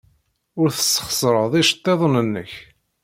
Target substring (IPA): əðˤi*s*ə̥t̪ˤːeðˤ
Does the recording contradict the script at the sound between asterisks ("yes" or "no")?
yes